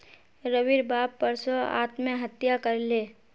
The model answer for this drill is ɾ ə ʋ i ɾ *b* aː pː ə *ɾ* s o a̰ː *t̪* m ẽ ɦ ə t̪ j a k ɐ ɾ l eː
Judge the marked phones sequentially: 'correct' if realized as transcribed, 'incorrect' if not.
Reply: correct, correct, correct

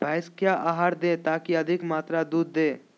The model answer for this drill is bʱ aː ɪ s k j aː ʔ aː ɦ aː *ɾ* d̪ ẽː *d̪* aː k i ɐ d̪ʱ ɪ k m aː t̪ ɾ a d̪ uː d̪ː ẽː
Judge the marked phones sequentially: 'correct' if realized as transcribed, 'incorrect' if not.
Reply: correct, incorrect

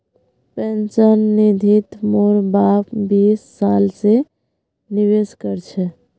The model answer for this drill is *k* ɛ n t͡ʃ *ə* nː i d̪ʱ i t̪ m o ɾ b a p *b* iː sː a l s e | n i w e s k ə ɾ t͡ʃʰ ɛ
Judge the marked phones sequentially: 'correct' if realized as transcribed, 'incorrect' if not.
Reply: incorrect, correct, correct

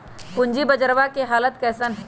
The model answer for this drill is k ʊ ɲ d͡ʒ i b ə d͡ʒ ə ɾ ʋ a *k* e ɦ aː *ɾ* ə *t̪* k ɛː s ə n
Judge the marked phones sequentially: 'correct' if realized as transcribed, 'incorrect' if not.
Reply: correct, incorrect, correct

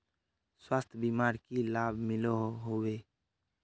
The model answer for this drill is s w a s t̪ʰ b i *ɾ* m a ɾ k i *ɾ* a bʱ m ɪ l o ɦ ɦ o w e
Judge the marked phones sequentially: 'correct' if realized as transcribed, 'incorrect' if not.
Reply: incorrect, incorrect

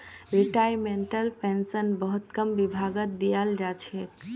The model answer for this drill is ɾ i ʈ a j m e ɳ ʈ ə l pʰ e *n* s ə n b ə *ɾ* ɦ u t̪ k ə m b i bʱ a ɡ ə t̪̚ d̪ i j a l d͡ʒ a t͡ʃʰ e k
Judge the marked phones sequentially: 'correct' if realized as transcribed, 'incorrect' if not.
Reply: correct, incorrect

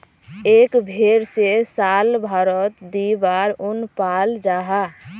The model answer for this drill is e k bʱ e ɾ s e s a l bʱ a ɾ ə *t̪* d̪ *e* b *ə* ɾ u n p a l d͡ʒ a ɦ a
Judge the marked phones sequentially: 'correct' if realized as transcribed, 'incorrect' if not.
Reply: correct, incorrect, incorrect

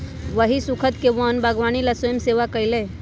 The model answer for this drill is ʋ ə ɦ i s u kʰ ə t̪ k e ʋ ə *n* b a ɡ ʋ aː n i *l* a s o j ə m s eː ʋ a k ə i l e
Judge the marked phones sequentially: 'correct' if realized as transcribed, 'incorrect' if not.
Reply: correct, correct

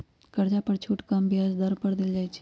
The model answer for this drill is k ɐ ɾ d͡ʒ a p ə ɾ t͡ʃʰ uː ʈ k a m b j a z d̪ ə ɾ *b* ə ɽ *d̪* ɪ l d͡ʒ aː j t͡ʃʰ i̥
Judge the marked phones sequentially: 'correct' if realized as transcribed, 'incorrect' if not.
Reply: incorrect, correct

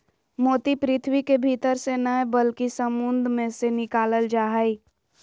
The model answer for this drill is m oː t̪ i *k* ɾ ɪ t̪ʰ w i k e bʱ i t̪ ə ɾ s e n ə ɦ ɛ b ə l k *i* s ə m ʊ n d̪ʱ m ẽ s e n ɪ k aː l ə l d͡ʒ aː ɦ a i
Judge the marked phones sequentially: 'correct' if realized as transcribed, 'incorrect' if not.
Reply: incorrect, correct

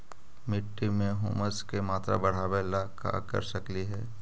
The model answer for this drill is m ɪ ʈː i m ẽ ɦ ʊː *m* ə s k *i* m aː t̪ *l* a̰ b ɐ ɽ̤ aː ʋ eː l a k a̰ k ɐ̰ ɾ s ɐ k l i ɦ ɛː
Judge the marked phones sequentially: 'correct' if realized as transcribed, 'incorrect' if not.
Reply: correct, incorrect, incorrect

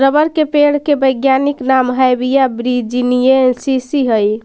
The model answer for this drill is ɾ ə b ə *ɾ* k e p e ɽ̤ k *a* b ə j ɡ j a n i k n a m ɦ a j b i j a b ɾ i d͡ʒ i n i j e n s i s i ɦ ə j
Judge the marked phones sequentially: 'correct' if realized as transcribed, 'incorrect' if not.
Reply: correct, incorrect

